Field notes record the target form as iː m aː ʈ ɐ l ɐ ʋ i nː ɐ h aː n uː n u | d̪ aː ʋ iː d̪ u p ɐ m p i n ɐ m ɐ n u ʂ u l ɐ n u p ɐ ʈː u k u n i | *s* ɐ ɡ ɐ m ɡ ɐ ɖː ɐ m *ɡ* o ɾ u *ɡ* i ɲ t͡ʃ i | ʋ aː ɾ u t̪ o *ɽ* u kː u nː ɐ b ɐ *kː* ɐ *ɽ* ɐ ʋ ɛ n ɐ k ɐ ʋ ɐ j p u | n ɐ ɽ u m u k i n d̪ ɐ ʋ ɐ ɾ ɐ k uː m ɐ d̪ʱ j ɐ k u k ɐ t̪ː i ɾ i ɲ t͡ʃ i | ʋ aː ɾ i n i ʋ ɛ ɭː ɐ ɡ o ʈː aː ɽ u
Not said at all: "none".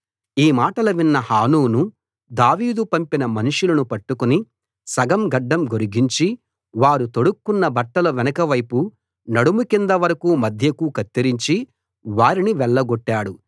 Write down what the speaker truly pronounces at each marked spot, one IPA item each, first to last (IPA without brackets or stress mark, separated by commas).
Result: s, ɡ, ɡ, ɽ, ʈː, l